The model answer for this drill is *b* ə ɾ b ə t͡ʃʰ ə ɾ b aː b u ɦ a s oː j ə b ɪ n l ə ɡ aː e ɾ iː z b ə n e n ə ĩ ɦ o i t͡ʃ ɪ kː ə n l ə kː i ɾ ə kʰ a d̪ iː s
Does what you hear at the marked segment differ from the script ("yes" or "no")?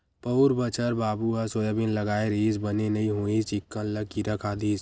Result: yes